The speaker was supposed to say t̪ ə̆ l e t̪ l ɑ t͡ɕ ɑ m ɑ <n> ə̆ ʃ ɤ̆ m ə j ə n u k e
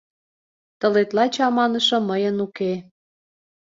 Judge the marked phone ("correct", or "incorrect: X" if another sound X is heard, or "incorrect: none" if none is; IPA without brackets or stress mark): correct